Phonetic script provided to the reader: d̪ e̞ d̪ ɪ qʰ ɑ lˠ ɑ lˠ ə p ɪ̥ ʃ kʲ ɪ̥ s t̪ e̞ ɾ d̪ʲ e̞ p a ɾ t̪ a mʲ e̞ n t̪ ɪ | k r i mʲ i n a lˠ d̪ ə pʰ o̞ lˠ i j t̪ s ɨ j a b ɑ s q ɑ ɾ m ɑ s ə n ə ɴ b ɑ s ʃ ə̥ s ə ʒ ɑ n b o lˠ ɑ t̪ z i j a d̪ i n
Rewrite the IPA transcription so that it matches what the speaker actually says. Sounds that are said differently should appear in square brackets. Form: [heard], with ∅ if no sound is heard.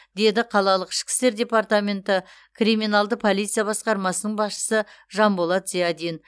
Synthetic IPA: d̪ e̞ d̪ ɪ qʰ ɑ lˠ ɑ lˠ ə [q] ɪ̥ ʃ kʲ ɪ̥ s t̪ e̞ ɾ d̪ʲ e̞ p a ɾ t̪ a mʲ e̞ n t̪ ɪ | k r i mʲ i n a lˠ d̪ ə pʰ o̞ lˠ i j t̪ s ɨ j a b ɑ s q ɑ ɾ m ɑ s ə n ə ɴ b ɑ s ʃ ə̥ s ə ʒ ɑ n b o lˠ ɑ t̪ z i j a d̪ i n